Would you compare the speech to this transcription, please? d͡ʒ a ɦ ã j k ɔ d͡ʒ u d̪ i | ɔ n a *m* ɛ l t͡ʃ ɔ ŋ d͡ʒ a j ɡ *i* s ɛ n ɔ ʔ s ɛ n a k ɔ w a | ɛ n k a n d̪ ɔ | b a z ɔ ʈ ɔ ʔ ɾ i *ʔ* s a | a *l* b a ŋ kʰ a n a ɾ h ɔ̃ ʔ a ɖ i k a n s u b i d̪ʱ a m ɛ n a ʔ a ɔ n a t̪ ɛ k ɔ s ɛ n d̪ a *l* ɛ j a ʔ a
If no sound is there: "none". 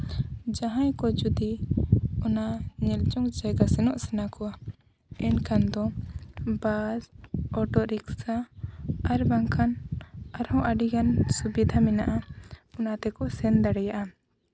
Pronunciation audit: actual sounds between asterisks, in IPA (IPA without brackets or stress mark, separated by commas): ɲ, a, k, ɾ, ɽ